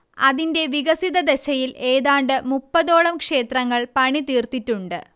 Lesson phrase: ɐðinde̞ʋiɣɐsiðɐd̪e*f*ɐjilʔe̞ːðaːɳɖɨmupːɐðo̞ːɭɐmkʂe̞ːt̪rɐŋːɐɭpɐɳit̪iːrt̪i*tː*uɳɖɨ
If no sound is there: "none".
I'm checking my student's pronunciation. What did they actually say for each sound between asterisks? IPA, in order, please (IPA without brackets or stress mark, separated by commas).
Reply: ɕ, tː